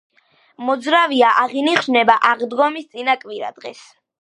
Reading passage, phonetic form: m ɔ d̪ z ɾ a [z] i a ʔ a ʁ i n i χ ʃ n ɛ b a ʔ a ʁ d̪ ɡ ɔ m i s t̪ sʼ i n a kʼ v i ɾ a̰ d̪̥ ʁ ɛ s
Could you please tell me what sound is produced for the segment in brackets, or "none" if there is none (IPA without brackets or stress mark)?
v